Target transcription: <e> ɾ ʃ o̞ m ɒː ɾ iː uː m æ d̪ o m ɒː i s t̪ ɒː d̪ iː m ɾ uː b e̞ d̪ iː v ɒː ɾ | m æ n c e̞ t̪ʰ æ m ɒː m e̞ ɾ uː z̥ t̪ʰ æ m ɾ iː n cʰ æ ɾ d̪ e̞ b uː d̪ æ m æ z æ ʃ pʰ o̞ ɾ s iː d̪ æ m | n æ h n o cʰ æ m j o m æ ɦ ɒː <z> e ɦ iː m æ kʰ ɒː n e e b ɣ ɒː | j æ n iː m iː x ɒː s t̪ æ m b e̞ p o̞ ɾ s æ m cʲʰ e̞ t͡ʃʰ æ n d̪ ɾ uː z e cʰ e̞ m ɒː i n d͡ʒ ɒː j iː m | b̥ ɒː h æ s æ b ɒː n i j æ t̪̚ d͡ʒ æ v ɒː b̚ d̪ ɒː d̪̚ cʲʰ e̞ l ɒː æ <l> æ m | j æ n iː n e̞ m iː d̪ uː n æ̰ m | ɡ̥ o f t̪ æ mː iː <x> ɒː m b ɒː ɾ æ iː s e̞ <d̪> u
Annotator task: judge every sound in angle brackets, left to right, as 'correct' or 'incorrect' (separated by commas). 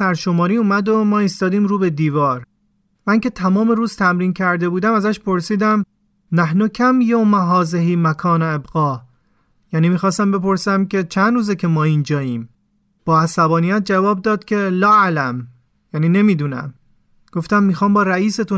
incorrect, correct, correct, correct, incorrect